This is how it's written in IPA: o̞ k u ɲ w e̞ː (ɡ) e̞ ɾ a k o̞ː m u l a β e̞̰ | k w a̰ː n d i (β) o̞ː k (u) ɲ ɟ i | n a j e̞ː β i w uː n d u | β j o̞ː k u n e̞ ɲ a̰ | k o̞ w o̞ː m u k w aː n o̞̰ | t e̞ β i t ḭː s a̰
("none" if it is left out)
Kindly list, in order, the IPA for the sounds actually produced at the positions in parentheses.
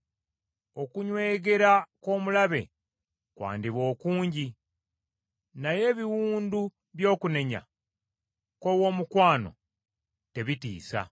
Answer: ɡ, β, uː

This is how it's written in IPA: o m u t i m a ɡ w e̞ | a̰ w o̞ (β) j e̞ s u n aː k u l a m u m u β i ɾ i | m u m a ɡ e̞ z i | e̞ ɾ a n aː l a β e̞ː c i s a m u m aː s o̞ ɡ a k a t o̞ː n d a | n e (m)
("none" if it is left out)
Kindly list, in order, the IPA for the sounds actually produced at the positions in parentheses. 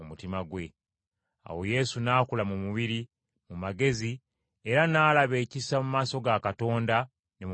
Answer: none, m

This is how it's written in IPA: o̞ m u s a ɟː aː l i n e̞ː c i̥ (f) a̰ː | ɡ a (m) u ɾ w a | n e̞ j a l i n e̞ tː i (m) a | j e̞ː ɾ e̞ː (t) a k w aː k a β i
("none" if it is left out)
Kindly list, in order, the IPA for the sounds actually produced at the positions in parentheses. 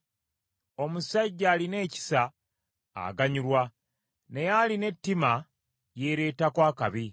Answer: s, ɲ, m, t

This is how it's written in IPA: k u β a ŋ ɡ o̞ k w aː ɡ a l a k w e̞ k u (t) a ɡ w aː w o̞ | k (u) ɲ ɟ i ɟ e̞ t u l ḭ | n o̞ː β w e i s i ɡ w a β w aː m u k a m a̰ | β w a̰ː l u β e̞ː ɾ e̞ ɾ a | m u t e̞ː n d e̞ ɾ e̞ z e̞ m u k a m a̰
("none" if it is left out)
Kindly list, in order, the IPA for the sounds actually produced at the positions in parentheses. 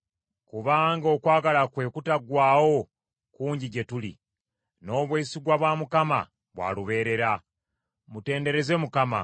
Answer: t, uː

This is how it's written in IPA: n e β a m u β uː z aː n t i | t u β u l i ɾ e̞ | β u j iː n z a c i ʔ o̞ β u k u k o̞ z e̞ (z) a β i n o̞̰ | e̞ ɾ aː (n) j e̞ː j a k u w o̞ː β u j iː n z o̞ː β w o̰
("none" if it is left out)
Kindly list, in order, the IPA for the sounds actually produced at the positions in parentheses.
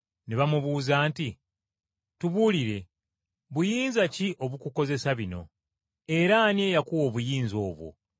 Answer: s, n

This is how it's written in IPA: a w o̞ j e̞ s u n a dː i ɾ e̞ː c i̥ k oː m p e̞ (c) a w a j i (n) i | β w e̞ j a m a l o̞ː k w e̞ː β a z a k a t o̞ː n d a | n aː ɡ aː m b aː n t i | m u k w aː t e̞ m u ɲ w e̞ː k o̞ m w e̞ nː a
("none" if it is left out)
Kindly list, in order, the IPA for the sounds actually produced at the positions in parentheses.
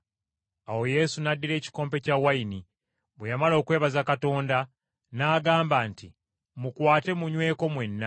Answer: c, n

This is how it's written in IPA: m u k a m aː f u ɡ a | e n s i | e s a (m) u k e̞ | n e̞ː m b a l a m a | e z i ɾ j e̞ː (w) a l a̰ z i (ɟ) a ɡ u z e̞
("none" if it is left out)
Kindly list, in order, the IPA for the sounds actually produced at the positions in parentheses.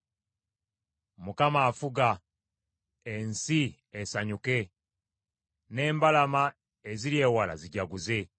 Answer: ɲ, w, ɟ

